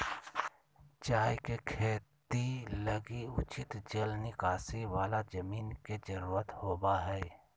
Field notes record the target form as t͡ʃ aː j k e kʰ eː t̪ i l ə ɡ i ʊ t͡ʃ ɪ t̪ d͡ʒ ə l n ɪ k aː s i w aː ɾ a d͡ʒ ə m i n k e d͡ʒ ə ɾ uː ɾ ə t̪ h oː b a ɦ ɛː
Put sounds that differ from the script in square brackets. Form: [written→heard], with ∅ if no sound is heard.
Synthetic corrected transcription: t͡ʃ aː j k e kʰ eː t̪ i l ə ɡ i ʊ t͡ʃ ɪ t̪ d͡ʒ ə l n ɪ k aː s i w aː [ɾ→l] a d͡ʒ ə m [i→iː] n k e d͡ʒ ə ɾ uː ɾ ə t̪ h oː b a ɦ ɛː